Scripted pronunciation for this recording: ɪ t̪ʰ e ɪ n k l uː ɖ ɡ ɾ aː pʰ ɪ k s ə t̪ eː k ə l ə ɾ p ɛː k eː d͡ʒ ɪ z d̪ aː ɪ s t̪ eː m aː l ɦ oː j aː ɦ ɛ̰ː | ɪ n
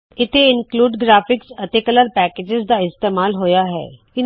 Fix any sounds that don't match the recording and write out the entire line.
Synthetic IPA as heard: ɪ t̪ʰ e ɪ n k l uː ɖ ɡ ɾ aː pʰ ɪ k s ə t̪ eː k ə l ə ɾ p ɛː k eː d͡ʒ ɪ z d̪ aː ɪ s t̪ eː m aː l ɦ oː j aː ɦ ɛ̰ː | ɪ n